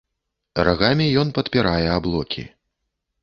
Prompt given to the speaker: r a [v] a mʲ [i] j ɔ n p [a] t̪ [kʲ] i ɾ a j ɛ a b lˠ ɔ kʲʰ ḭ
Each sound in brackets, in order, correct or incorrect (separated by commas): incorrect, correct, incorrect, incorrect